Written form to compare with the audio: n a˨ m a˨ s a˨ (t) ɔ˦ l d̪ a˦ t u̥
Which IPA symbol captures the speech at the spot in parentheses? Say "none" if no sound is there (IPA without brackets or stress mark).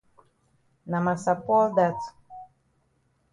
p